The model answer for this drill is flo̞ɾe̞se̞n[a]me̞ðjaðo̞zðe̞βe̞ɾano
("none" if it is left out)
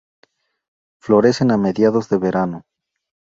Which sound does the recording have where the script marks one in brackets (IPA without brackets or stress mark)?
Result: a